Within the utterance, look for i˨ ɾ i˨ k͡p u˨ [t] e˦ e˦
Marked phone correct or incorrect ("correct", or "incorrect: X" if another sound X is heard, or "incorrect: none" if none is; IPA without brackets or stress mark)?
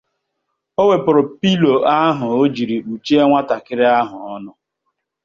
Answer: incorrect: t͡ʃ